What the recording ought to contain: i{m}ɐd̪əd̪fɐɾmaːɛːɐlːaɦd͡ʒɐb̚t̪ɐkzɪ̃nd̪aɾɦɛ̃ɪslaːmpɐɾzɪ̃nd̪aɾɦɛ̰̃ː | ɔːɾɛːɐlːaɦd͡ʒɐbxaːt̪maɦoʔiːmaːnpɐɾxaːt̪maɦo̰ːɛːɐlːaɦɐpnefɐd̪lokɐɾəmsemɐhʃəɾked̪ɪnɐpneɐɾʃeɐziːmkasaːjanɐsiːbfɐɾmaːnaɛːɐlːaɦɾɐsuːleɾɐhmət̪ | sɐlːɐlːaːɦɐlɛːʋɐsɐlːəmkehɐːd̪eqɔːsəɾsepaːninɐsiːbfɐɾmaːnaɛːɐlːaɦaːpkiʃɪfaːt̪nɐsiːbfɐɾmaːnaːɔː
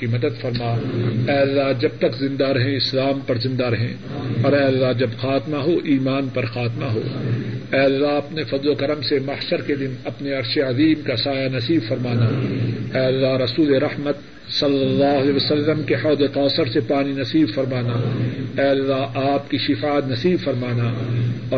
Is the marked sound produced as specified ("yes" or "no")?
yes